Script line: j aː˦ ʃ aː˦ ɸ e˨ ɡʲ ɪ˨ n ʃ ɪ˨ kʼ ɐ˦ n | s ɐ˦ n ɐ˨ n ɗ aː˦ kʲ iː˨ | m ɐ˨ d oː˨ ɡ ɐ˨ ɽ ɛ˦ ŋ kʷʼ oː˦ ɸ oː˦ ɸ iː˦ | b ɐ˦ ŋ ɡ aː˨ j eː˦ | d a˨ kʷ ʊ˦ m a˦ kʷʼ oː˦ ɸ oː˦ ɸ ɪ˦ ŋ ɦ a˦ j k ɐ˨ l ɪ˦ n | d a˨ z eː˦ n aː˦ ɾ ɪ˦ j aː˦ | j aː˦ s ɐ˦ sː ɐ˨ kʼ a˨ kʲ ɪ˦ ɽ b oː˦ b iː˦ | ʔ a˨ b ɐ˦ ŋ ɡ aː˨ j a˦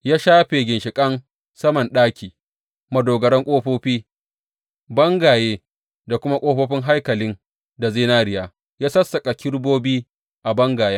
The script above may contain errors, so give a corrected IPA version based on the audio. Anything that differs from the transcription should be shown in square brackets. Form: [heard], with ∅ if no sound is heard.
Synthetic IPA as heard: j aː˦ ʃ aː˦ ɸ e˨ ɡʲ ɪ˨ n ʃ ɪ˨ kʼ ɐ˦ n | s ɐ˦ [m] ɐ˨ n ɗ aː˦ kʲ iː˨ | m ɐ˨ d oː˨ ɡ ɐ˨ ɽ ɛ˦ ŋ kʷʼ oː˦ ɸ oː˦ ɸ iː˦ | b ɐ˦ ŋ ɡ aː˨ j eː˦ | d a˨ kʷ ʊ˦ m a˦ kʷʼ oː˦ ɸ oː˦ ɸ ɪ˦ ŋ ɦ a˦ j k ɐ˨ l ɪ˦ n | d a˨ z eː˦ n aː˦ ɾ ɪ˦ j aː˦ | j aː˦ s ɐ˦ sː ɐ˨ kʼ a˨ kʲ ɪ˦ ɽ b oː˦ b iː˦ | ʔ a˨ b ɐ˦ ŋ ɡ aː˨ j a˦

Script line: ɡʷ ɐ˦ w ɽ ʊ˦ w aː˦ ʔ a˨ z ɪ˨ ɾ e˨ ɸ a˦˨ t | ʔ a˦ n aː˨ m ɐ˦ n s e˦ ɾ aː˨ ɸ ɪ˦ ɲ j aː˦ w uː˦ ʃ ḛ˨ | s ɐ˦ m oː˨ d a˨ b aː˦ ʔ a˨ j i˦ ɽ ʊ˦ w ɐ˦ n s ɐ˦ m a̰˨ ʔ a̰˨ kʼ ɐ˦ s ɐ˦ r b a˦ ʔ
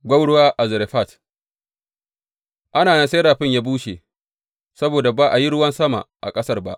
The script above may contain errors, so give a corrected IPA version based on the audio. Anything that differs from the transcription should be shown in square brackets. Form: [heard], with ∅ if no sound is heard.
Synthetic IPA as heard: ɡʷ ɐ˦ w ɽ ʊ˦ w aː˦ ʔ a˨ z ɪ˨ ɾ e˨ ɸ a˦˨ t | ʔ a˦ n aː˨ [n] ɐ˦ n s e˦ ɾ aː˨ ɸ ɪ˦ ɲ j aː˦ [b] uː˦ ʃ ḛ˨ | s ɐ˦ [b] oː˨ d a˨ b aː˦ ʔ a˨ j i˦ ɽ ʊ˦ w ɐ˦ n s ɐ˦ m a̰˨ ʔ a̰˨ kʼ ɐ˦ s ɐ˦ r b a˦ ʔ

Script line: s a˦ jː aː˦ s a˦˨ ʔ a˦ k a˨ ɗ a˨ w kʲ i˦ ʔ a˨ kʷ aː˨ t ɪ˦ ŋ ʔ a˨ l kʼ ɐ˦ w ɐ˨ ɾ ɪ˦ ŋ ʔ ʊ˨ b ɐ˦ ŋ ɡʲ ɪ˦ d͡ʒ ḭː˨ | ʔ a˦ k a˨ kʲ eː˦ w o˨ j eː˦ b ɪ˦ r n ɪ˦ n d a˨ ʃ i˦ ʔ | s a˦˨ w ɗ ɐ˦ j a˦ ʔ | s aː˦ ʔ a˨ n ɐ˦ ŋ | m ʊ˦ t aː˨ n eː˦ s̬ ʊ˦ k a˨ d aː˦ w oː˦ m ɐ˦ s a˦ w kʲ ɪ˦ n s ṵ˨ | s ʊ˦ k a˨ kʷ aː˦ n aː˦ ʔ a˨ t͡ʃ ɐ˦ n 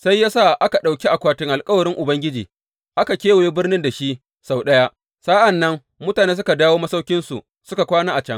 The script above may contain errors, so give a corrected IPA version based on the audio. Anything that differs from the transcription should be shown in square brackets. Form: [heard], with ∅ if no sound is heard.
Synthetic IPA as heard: s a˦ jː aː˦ s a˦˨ ʔ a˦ k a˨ ɗ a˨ w kʲ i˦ ʔ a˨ kʷ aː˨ t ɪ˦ ŋ ʔ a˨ l kʼ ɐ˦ w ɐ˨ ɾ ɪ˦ ŋ ʔ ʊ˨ b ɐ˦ ŋ ɡʲ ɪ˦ d͡ʒ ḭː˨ | ʔ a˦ k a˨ kʲ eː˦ w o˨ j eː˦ b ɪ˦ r n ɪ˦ n d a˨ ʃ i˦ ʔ | s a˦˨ w ɗ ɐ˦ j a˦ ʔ | s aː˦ ʔ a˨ [nː] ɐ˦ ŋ | m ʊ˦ t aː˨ n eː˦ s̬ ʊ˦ k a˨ d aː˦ w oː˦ m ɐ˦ s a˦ w kʲ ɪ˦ n s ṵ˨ | s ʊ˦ k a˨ kʷ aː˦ n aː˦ ʔ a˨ t͡ʃ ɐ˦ [ŋ]

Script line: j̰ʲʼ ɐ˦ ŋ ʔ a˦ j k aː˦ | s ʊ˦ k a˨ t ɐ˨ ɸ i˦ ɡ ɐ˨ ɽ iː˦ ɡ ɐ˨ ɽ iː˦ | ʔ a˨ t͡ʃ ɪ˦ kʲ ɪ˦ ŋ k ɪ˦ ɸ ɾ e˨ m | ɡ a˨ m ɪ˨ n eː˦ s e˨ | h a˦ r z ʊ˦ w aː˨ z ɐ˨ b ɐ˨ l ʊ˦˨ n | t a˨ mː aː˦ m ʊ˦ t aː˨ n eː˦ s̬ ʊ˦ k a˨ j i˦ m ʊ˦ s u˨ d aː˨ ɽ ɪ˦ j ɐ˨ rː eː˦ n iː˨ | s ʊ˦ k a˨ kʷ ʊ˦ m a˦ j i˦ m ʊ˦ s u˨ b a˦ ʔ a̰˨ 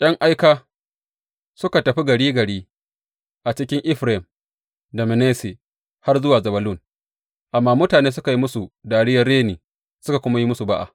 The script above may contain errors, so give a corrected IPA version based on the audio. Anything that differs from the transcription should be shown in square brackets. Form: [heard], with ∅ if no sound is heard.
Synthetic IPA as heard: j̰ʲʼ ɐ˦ ŋ ʔ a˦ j k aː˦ | s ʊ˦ k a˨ t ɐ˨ ɸ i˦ ɡ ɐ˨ ɽ iː˦ ɡ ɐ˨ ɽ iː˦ | ʔ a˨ t͡ʃ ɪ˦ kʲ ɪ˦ ŋ [ʔ] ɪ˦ ɸ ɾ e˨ m | [d] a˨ m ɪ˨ n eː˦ s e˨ | h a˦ r z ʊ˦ w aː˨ z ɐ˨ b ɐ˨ l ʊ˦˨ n | [ʔ] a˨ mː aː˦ m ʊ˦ t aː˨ n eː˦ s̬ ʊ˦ k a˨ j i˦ m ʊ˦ s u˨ d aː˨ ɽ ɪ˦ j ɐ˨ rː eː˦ n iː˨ | s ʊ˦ k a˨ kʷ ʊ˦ m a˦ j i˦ m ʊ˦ s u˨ b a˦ ʔ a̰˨

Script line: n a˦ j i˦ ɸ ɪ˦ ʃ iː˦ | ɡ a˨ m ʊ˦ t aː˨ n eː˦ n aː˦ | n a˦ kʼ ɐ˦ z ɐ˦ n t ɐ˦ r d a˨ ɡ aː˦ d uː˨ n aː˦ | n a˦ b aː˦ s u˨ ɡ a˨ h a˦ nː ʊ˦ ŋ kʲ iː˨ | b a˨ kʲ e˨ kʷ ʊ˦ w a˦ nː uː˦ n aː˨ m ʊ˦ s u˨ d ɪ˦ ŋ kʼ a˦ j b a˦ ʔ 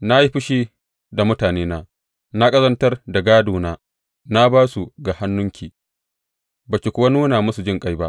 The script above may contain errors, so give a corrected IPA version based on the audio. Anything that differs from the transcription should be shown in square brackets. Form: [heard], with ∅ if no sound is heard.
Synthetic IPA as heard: n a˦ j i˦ ɸ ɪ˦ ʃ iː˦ | [d] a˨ m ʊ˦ t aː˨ n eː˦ n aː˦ | n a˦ kʼ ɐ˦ z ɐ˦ n t ɐ˦ r d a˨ ɡ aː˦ d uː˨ n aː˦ | n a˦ b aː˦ s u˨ ɡ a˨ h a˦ nː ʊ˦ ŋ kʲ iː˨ | b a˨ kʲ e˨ kʷ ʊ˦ w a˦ [n] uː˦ n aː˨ m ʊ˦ s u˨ [d͡ʒ] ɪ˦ ŋ kʼ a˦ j b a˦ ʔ

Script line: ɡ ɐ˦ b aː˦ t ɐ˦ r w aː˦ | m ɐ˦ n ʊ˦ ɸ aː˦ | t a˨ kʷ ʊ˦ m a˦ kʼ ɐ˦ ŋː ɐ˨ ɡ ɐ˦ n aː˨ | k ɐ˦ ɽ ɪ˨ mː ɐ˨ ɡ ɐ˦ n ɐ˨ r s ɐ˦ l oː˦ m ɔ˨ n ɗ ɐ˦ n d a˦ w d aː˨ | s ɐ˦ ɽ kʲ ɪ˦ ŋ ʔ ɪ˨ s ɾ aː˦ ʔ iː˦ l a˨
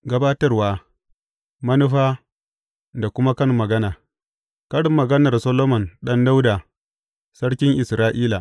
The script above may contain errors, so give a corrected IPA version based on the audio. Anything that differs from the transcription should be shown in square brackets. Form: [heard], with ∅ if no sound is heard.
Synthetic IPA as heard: ɡ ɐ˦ b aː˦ t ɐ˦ r w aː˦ | m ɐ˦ n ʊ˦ ɸ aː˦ | [d] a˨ kʷ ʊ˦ m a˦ [k] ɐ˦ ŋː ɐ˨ ɡ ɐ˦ n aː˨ | k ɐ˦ ɽ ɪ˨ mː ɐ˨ ɡ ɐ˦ n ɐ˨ r s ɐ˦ l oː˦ m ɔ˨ n ɗ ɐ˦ n d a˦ w d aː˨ | s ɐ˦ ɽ kʲ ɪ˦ ŋ ʔ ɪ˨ s ɾ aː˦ ʔ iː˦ l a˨

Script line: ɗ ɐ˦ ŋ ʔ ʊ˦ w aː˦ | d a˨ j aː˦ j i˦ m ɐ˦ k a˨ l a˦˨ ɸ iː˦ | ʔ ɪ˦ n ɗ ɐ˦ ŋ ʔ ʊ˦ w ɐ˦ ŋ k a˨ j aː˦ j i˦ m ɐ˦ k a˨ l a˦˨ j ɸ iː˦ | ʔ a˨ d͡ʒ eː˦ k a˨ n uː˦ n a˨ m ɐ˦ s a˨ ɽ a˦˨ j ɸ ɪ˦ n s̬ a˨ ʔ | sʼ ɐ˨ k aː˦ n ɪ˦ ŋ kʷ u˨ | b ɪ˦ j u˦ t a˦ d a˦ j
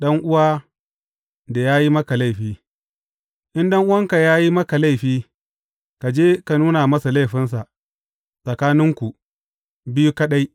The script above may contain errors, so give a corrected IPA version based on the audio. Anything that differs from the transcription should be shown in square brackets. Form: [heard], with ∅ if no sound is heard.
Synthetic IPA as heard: ɗ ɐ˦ ŋ ʔ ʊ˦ w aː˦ | d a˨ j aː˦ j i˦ m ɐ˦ k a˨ l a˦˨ ɸ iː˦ | ʔ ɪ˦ n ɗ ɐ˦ ŋ ʔ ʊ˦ w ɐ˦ ŋ k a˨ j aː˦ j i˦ m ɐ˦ k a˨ l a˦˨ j ɸ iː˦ | [k] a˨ d͡ʒ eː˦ k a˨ n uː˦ n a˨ m ɐ˦ s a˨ [l] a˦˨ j ɸ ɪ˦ n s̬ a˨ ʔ | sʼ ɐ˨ k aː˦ n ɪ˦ ŋ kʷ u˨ | b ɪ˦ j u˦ [k] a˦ [ɗ] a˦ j

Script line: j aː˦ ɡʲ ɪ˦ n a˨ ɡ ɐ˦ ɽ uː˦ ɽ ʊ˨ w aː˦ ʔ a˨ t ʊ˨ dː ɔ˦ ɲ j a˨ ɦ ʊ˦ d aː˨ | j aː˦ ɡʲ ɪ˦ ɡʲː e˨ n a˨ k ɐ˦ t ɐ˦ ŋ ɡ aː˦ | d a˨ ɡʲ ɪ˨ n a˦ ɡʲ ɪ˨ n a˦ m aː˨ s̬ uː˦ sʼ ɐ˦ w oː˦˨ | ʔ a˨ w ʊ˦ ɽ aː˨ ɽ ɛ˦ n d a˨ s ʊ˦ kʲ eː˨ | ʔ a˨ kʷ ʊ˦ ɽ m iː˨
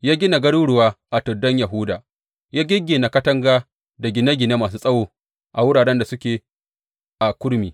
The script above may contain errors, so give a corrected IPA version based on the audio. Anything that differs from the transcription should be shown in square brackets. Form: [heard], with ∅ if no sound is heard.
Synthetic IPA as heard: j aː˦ ɡʲ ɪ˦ n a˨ ɡ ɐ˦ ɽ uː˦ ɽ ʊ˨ w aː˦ ʔ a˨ t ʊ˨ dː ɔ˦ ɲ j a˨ ɦ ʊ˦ d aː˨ | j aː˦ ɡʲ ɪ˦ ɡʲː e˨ n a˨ k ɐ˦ t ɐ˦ ŋ ɡ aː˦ | d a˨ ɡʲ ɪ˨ n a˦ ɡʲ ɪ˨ n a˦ m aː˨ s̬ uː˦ sʼ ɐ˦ w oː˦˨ | ʔ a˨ w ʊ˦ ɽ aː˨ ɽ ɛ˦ n d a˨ s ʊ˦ kʲ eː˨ | ʔ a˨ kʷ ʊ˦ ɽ m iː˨

